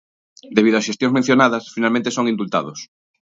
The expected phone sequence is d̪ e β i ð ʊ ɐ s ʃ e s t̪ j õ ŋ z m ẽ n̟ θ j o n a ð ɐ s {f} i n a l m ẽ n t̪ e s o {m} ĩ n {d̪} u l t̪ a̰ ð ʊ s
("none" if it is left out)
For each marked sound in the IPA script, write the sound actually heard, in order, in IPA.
f, ŋ, d̪

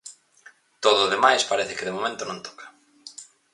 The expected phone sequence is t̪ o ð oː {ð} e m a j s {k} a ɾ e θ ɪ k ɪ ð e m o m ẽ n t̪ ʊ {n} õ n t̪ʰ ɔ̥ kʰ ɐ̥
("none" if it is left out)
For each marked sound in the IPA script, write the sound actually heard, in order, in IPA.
ð, p, n

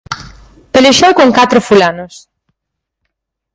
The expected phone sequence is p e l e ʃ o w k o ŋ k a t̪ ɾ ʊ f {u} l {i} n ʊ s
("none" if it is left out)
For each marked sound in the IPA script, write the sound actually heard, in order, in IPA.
u, a

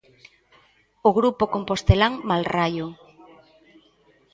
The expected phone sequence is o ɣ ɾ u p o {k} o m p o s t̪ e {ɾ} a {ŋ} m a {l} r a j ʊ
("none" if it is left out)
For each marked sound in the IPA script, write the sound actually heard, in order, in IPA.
k, l, ŋ, l

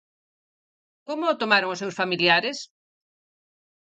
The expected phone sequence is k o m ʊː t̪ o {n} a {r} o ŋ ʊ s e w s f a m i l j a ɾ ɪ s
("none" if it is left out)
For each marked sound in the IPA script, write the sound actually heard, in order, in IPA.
m, ɾ

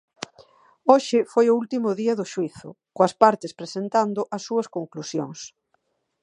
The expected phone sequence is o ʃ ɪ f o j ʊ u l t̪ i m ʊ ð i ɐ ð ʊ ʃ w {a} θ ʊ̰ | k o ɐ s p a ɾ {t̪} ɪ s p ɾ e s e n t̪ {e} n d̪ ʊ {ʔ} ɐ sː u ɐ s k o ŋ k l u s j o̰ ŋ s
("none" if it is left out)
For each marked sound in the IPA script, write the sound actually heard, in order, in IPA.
i, t̪, a, ʔ

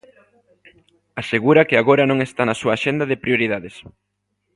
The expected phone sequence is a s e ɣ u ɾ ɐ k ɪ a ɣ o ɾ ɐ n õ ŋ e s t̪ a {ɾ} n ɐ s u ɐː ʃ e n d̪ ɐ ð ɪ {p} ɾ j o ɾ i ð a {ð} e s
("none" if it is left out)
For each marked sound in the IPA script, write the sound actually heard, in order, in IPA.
none, p, ð

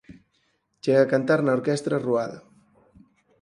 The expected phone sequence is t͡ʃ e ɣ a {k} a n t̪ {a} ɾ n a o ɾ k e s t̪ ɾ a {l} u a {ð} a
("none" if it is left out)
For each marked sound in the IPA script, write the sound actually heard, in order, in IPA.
k, a, r, ð

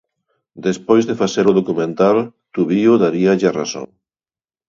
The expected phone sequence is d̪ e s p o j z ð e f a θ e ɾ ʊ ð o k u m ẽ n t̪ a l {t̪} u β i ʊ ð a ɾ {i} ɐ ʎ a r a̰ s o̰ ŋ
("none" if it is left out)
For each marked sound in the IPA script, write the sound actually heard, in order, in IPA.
t̪, i

